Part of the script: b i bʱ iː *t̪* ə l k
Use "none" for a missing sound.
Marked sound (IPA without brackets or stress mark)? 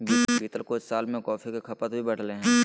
t̪